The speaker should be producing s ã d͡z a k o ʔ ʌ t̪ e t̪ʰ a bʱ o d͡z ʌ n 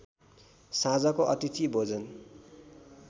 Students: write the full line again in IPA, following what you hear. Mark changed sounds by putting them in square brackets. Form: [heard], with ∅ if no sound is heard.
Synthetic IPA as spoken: s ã d͡z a k o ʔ ʌ t̪ [i] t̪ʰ [i] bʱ o d͡z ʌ n